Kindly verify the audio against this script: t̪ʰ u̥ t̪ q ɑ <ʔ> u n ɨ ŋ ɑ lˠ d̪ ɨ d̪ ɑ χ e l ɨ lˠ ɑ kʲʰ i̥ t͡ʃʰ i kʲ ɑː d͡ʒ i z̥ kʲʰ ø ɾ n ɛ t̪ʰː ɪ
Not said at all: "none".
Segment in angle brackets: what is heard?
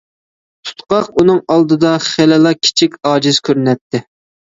q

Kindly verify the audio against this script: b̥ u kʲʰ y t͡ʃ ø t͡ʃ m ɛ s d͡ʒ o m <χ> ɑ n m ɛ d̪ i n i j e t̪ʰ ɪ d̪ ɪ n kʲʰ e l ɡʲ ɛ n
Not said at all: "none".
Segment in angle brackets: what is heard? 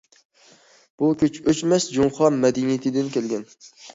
χ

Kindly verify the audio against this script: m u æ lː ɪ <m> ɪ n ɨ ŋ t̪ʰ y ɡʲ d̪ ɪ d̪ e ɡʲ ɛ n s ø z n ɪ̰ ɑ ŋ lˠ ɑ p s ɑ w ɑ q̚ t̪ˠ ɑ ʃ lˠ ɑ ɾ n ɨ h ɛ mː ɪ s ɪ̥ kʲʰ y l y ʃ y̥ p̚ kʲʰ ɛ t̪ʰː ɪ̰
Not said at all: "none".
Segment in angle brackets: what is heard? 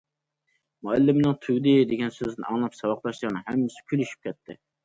m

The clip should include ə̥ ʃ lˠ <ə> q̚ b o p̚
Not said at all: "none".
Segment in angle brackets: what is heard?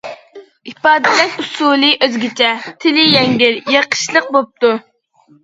ə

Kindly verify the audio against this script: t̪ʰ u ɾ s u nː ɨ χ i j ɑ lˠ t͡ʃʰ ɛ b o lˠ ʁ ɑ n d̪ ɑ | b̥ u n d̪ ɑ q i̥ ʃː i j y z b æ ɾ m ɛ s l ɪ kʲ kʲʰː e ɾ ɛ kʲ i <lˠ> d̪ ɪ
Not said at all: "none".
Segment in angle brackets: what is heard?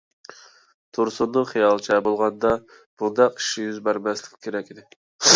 none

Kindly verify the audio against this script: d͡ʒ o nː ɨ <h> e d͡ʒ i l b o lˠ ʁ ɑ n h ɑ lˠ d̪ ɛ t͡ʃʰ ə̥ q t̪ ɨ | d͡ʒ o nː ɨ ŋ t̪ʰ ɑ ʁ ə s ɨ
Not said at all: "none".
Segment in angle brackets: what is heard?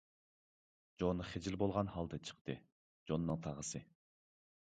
χ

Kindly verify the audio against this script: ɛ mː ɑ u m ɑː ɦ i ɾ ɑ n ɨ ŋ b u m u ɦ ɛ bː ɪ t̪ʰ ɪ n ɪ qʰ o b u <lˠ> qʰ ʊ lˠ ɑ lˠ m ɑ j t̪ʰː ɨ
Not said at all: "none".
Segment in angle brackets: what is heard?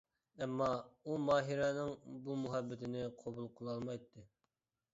lˠ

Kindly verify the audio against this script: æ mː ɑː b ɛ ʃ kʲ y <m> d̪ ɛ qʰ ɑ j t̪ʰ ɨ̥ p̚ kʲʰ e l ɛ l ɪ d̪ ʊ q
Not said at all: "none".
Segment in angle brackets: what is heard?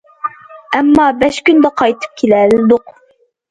n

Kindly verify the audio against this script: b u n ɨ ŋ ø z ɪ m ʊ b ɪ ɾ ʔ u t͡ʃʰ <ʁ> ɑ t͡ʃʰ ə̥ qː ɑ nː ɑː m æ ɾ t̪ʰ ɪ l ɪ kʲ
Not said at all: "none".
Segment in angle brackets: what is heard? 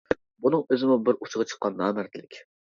ʁ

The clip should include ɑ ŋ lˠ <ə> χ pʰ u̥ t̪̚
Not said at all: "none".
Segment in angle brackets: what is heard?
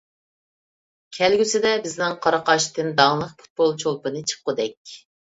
ə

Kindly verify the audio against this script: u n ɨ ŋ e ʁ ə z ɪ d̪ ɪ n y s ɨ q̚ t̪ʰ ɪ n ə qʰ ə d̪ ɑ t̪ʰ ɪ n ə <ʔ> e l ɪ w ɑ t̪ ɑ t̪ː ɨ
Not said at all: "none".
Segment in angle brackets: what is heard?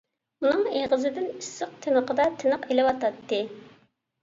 q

